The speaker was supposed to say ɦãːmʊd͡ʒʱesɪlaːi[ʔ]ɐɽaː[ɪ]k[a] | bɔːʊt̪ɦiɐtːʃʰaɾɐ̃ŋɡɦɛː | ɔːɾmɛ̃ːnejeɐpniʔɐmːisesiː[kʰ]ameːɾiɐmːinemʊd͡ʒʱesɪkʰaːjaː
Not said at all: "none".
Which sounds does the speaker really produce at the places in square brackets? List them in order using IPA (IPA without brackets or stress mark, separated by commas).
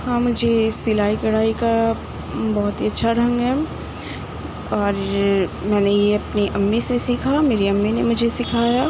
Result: k, i, a, kʰ